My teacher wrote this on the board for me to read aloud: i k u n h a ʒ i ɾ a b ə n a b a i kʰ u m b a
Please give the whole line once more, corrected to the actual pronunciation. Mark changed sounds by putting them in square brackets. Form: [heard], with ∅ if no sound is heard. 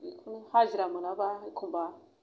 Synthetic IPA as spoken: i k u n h a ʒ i ɾ a [m] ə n a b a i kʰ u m b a